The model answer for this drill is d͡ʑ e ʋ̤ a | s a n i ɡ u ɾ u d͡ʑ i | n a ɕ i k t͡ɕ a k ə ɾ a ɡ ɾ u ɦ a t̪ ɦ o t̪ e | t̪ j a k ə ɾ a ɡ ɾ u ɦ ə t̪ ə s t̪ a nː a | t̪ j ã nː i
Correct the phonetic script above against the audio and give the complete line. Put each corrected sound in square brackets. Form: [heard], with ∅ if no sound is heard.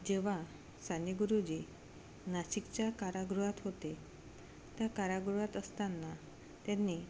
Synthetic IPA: d͡ʑ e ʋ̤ a | s a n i ɡ u ɾ u d͡ʑ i | n a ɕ i k t͡ɕ a k [a] ɾ a ɡ ɾ u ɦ a t̪ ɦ o t̪ e | t̪ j a k [a] ɾ a ɡ ɾ u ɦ [a] t̪ ə s t̪ a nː a | t̪ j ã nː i

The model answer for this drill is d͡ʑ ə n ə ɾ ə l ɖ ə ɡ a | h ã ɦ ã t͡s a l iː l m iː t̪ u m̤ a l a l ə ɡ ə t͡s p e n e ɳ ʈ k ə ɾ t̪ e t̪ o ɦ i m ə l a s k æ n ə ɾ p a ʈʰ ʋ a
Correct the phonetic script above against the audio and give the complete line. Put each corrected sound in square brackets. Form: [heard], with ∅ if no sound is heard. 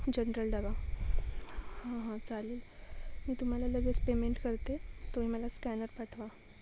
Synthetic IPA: d͡ʑ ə n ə ɾ ə l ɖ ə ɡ a | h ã ɦ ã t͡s a l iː l m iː t̪ u m̤ a l a l ə ɡ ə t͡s p e [m] e ɳ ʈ k ə ɾ t̪ e t̪ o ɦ i m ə l a s k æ n ə ɾ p a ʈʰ ʋ a

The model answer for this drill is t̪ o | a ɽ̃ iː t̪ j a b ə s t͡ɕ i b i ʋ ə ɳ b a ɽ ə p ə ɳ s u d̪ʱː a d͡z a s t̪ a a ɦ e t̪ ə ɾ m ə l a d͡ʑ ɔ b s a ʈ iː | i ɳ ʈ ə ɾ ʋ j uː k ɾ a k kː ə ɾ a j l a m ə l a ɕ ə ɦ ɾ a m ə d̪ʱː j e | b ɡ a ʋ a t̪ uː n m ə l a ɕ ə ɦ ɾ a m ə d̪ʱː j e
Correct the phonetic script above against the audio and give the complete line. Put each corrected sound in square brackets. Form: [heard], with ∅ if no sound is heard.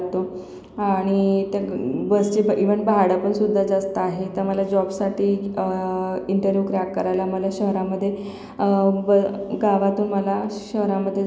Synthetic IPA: t̪ o | a ɽ̃ [i] t̪ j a b ə s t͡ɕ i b i ʋ ə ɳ b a ɽ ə p ə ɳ s u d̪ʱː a d͡z a s t̪ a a ɦ e t̪ ə ɾ m ə l a d͡ʑ ɔ b s a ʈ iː | i ɳ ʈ ə ɾ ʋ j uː k ɾ a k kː ə ɾ a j l a m ə l a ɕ ə ɦ ɾ a m ə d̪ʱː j e | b ɡ a ʋ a t̪ uː n m ə l a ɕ ə ɦ ɾ a m ə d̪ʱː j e

